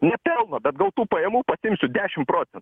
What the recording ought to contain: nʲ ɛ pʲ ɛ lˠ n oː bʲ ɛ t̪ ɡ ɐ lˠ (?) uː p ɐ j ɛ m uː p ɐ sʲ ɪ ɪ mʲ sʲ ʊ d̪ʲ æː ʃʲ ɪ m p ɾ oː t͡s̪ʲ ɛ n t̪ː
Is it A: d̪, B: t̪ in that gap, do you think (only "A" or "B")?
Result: B